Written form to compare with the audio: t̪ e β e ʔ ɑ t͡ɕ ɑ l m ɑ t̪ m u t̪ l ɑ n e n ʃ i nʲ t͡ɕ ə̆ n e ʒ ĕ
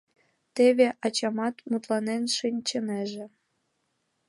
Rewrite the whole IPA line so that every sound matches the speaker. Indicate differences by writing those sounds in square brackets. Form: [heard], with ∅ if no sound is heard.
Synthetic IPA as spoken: t̪ e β e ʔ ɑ t͡ɕ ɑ [∅] m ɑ t̪ m u t̪ l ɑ n e n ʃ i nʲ t͡ɕ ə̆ n e ʒ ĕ